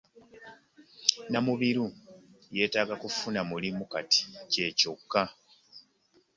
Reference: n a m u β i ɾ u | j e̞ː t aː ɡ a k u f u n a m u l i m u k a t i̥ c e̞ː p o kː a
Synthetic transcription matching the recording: n a m u β i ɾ u | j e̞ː t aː ɡ a k u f u n a m u l i m u k a t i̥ c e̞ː c o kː a